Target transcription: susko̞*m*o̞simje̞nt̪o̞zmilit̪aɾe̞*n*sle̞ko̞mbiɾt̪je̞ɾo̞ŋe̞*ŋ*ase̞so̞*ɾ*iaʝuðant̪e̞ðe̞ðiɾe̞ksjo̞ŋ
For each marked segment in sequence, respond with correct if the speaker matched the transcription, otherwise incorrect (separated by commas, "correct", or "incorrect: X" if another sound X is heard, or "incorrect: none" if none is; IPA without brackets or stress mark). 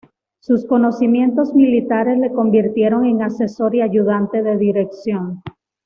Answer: incorrect: n, incorrect: none, correct, correct